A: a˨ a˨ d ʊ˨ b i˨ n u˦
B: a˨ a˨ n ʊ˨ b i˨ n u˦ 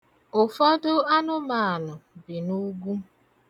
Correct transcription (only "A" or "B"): B